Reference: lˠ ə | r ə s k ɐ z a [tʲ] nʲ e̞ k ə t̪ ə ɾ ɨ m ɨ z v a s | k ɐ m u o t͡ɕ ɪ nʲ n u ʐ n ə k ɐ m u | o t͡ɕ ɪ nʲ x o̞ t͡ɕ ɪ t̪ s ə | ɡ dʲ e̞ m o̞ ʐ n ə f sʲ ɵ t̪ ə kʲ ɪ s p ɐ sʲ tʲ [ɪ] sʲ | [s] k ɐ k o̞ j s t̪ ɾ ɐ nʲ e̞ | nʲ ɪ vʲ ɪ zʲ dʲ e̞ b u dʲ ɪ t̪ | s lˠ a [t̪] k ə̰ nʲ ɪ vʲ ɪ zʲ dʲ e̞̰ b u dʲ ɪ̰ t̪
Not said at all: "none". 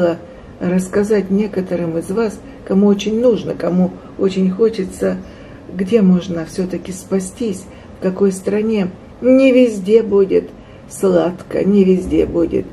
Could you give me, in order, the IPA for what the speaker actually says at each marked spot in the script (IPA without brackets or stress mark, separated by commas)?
tʲ, i, f, t̪